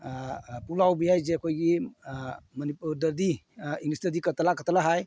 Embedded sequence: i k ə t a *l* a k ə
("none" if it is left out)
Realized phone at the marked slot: l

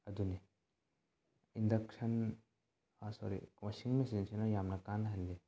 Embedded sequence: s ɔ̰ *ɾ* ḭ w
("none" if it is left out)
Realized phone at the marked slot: ɾ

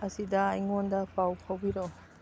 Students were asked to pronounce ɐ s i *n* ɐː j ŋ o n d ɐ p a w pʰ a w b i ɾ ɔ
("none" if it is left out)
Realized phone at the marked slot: d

